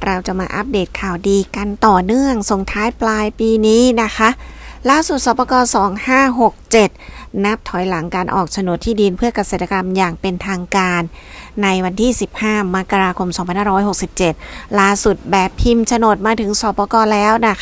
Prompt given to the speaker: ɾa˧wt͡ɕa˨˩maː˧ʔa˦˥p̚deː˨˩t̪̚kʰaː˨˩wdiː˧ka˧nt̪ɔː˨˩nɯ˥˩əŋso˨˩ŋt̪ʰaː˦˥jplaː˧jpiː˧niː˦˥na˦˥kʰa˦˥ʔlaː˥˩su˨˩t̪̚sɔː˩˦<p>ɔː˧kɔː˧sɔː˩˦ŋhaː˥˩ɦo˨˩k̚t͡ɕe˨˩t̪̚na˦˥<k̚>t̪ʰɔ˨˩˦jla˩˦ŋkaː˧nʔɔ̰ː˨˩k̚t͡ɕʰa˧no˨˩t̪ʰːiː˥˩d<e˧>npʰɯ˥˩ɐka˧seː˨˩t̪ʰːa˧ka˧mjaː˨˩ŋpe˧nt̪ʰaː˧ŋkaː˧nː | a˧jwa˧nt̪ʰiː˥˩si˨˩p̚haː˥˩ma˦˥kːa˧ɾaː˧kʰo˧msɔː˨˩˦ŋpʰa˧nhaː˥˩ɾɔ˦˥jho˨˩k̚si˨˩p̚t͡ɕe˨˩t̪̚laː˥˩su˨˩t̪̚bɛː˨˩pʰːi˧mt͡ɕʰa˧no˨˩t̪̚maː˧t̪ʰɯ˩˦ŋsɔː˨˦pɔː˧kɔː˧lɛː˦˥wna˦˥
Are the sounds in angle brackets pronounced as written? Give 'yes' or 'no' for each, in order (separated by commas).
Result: yes, no, no